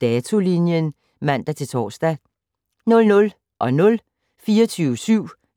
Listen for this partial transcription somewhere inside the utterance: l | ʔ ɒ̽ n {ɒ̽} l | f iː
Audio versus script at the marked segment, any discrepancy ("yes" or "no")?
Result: yes